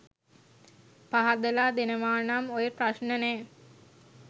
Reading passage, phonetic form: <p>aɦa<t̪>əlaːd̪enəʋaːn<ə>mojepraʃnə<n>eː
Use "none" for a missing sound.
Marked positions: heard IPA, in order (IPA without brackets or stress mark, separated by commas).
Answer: p, d̪, a, n